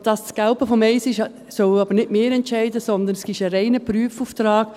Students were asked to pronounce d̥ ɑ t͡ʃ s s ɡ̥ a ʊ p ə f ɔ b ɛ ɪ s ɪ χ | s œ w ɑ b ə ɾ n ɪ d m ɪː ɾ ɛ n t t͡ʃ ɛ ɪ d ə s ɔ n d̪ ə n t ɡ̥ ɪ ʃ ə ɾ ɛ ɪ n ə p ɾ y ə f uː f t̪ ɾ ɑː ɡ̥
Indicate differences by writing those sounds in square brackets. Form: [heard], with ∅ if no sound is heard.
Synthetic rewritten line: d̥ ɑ [∅] s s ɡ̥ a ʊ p ə f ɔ [m] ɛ ɪ s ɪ [ʃ] | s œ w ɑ b ə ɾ n ɪ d m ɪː ɾ ɛ n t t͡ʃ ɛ ɪ d ə s ɔ n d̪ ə n [s] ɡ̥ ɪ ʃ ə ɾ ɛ ɪ n ə p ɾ y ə f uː f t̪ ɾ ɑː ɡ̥